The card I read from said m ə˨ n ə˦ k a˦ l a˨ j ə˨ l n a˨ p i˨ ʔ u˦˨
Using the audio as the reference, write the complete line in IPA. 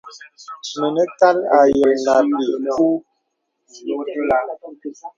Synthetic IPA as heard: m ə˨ n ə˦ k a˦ l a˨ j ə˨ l n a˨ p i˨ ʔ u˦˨